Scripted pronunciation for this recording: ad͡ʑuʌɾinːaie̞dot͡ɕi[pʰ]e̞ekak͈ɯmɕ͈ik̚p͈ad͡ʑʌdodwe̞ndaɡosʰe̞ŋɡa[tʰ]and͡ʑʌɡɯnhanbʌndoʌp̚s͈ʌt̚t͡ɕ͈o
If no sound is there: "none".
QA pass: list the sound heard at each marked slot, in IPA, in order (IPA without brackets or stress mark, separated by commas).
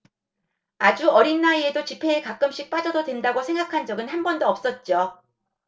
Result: pʰ, kʰ